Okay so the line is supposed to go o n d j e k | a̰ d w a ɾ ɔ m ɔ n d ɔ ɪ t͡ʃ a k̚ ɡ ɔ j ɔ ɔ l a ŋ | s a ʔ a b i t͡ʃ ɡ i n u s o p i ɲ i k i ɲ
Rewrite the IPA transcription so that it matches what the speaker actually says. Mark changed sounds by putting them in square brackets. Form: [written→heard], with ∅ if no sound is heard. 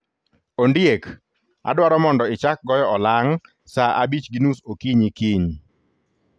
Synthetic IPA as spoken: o n d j e k | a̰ d w a ɾ ɔ m ɔ n d ɔ ɪ t͡ʃ a k̚ ɡ ɔ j ɔ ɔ l a ŋ | s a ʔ a b i t͡ʃ ɡ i n u s o [p→k] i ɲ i k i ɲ